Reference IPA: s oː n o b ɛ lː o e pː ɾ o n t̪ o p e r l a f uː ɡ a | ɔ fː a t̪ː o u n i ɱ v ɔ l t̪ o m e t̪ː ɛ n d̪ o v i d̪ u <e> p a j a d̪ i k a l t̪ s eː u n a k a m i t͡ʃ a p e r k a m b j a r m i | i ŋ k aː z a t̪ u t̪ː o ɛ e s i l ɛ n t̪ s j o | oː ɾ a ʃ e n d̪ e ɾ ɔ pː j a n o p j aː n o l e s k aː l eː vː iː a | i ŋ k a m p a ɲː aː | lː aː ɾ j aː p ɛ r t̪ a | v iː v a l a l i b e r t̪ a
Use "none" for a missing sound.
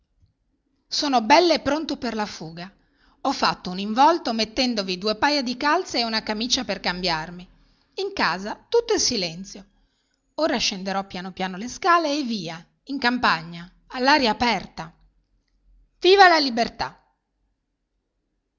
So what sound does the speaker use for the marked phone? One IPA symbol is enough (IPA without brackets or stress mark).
e